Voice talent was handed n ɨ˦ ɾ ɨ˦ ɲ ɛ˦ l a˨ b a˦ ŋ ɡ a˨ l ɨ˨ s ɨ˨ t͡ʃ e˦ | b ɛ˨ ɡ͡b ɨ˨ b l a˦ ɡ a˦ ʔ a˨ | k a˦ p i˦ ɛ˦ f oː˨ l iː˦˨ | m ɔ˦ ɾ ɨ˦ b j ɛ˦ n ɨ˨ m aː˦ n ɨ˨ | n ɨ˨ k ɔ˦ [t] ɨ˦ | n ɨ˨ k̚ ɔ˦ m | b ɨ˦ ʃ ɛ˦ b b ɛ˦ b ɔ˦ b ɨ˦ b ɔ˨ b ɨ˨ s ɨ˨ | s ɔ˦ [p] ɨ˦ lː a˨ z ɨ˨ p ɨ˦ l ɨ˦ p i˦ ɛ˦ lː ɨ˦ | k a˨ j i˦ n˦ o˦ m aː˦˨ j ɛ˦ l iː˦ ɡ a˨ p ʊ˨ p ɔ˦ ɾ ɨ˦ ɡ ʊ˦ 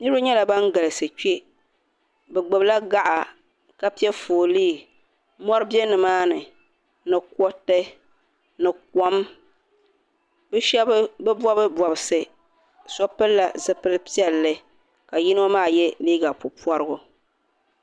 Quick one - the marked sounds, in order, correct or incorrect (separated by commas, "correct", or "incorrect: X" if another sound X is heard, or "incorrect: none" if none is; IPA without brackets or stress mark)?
correct, correct